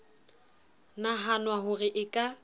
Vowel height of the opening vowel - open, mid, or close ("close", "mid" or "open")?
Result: open